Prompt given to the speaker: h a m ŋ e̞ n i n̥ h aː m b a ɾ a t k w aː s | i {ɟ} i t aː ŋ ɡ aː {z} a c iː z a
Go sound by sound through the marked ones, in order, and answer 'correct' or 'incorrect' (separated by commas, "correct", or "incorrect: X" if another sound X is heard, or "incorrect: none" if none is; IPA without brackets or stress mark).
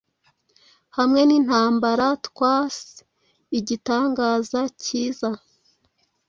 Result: correct, correct